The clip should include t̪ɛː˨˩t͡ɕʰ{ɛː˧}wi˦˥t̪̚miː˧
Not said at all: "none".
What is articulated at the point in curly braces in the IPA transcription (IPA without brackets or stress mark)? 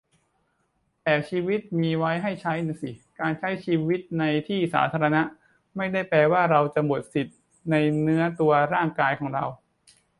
iː˧